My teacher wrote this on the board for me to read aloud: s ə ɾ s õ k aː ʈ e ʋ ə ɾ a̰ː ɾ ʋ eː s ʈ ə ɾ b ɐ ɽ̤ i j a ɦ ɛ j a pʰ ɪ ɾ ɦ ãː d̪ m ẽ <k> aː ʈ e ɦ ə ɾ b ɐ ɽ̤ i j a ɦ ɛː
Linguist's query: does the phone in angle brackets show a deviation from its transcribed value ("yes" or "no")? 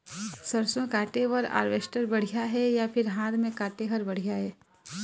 no